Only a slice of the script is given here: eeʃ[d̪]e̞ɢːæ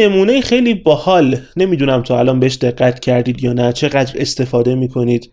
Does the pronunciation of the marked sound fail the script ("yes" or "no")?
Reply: no